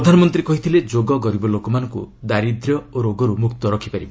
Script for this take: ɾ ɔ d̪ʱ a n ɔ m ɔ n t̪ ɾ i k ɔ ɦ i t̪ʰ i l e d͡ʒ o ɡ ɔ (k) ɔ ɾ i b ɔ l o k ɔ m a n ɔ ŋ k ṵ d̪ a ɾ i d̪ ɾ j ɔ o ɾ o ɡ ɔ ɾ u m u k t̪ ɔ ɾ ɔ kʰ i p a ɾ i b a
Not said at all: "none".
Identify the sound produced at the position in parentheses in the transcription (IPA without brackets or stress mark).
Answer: ɡ